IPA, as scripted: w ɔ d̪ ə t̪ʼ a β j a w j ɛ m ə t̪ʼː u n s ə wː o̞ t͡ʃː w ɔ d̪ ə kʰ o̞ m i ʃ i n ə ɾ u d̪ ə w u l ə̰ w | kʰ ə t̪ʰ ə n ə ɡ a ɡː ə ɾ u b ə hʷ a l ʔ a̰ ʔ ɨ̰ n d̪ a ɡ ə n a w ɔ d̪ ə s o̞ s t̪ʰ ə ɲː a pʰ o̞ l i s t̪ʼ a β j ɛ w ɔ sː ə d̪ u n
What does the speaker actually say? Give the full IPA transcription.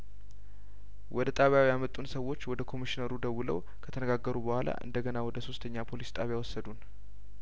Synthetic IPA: w ɔ d̪ ə t̪ʼ a β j a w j a m ə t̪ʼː u n s ə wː o̞ t͡ʃː w ɔ d̪ ə kʰ o̞ m i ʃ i n ə ɾ u d̪ ə w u l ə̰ w | kʰ ə t̪ʰ ə n ə ɡ a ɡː ə ɾ u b ə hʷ a l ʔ a̰ ʔ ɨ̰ n d̪ ə ɡ ə n a w ɔ d̪ ə s o̞ s t̪ʰ ə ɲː a pʰ o̞ l i s t̪ʼ a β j a w ɔ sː ə d̪ u n